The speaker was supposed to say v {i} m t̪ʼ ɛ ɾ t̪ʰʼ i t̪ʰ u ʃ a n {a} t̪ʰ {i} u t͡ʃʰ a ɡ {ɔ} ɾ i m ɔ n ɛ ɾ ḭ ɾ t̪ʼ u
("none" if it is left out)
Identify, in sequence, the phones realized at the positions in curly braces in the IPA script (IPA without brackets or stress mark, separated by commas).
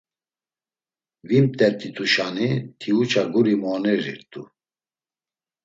i, i, i, u